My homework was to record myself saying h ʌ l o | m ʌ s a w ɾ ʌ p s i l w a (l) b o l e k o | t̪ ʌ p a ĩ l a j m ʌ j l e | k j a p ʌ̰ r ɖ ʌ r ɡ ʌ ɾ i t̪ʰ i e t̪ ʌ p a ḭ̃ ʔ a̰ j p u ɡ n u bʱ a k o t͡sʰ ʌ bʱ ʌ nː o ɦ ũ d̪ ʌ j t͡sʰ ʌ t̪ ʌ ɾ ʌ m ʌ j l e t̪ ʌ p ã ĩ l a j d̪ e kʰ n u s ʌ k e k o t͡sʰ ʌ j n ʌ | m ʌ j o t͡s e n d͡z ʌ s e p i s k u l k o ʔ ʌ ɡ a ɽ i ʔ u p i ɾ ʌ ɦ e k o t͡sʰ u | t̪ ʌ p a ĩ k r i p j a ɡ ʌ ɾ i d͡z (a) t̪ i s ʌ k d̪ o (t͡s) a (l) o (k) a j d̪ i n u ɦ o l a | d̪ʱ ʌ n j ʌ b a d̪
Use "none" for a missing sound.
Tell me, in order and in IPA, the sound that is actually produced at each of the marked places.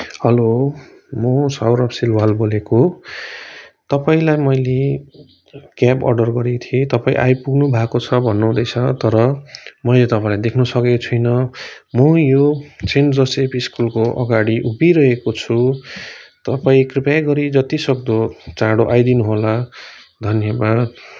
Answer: l, ʌ, t͡s, ɽ, ʔ

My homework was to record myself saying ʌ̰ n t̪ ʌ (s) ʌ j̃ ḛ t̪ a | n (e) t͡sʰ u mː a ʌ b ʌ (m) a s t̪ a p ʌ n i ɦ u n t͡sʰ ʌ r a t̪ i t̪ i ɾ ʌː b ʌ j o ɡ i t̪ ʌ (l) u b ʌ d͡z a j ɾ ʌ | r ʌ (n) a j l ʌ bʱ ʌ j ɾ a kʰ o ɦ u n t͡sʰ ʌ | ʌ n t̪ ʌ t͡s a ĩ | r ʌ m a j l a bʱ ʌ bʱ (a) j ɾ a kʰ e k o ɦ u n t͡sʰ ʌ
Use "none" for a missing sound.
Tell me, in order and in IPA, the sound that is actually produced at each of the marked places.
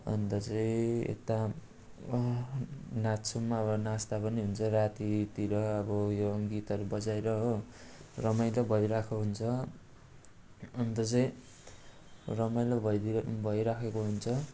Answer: t͡s, a, n, ɾ, m, ʌ

